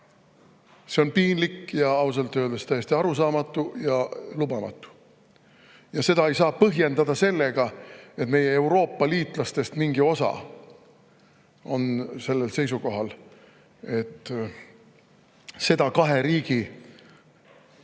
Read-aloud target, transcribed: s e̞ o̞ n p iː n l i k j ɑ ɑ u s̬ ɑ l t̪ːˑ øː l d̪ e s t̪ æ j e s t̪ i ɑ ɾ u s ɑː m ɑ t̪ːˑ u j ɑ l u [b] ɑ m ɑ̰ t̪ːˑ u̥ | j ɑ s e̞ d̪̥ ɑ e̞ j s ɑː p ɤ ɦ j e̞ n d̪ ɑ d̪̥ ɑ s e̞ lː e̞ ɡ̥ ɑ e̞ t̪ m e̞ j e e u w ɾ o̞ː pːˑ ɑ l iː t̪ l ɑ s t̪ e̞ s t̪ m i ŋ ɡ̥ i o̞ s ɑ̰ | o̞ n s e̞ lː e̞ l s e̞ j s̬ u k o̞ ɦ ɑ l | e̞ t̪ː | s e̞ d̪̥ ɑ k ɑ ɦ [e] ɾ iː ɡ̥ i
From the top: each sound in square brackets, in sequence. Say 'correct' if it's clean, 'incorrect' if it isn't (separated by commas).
correct, correct